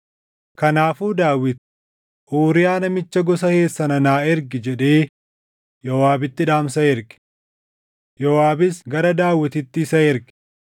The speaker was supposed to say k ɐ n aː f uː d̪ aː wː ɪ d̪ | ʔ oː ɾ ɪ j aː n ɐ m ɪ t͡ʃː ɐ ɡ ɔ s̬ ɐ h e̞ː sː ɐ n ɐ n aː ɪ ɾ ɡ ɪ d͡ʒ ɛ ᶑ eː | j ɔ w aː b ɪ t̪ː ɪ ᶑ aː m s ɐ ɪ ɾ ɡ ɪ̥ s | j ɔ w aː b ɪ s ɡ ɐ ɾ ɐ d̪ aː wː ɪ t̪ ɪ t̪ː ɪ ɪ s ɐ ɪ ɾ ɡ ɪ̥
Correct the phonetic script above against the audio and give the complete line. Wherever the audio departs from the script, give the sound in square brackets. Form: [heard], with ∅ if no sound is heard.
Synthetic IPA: k ɐ n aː f uː d̪ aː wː ɪ [t̪] | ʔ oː ɾ ɪ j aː n ɐ m ɪ t͡ʃː ɐ ɡ ɔ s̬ ɐ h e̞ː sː ɐ n ɐ n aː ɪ ɾ ɡ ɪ d͡ʒ ɛ ᶑ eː | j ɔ w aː b ɪ t̪ː ɪ ᶑ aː m s ɐ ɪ ɾ ɡ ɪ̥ [∅] | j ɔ w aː b ɪ s ɡ ɐ ɾ ɐ d̪ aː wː ɪ t̪ ɪ t̪ː ɪ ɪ s ɐ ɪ ɾ ɡ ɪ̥